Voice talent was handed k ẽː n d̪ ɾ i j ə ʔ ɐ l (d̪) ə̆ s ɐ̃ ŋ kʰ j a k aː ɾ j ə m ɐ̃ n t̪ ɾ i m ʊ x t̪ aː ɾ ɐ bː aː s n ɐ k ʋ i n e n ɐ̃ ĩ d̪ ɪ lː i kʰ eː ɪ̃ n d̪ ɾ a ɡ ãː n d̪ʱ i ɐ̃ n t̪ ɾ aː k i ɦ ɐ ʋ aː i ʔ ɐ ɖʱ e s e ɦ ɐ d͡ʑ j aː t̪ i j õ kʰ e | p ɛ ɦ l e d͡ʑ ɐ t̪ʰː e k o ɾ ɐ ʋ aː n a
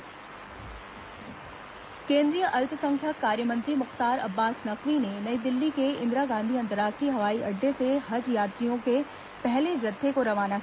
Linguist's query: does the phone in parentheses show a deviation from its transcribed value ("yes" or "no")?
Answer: yes